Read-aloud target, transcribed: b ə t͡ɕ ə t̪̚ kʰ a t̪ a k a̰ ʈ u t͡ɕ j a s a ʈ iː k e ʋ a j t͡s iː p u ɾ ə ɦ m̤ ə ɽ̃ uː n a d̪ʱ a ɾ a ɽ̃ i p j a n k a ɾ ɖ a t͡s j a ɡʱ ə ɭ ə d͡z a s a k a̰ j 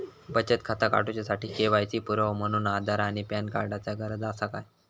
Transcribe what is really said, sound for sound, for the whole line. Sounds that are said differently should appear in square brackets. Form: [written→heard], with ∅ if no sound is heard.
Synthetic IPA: b ə t͡ɕ ə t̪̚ kʰ a t̪ a k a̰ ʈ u t͡ɕ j a s a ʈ iː k e ʋ a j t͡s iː p u ɾ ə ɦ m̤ ə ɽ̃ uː n a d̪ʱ a ɾ a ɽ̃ i p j a n k a ɾ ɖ a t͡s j a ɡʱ ə [ɭ→ɾ] ə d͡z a s a k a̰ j